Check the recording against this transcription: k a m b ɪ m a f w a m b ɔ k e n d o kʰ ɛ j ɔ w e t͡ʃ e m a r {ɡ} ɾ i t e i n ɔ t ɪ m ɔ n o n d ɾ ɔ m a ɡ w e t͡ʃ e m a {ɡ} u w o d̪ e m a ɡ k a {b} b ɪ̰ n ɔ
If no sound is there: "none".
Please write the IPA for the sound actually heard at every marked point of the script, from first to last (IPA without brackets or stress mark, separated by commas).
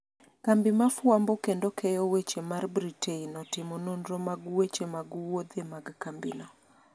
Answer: b, ɡ, m